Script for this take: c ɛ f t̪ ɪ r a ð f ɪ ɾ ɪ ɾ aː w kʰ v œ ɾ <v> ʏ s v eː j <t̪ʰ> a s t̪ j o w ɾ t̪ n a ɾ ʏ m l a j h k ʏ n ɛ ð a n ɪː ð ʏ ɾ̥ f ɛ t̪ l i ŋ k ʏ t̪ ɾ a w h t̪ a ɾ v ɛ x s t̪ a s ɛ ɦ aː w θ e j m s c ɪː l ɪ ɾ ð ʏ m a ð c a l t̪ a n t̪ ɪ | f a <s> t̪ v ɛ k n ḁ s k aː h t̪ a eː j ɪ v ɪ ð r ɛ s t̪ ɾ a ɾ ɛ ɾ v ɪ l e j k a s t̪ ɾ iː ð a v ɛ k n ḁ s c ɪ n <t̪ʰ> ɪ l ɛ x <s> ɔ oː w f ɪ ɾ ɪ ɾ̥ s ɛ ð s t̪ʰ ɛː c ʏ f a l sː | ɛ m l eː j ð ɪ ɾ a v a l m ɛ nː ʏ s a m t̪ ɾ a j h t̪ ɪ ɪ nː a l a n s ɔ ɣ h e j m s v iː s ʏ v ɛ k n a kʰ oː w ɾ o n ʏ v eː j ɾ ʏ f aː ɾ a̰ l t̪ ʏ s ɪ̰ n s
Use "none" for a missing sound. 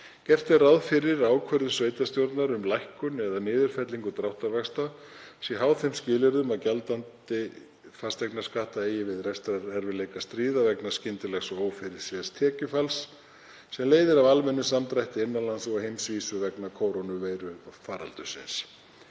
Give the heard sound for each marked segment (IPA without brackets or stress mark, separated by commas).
ð, t̪, s, t̪, s